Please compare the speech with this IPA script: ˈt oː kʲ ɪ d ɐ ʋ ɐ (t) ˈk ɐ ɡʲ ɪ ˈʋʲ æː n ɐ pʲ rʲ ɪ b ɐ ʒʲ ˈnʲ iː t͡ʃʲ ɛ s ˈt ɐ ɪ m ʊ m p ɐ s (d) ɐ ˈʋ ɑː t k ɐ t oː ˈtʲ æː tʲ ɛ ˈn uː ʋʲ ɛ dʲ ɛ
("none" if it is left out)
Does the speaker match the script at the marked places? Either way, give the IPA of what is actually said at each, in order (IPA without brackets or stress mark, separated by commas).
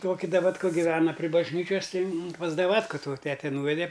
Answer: t, d